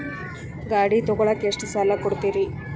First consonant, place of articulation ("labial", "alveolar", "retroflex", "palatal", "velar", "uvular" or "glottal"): velar